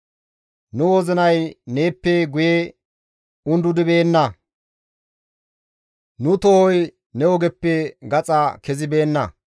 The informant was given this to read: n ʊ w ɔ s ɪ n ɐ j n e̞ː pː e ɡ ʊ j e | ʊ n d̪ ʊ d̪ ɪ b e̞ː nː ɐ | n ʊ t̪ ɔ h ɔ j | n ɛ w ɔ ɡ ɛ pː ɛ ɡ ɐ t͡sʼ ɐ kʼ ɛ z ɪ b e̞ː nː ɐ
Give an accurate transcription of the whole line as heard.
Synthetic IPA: n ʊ w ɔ z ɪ n ɐ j n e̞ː pː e ɡ ʊ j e | ʊ n d̪ ʊ d̪ ɪ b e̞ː nː ɐ | n ʊ t̪ ɔ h ɔ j | n ɛ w ɔ ɡ ɛ pː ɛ ɡ ɐ t͡sʼ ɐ k ɛ z ɪ b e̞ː nː ɐ